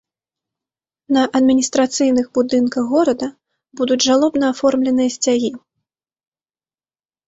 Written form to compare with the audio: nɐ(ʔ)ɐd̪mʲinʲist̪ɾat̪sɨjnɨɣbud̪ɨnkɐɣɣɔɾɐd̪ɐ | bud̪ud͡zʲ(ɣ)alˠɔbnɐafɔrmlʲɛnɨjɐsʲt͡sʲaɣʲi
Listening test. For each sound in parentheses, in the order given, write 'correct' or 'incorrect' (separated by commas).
correct, incorrect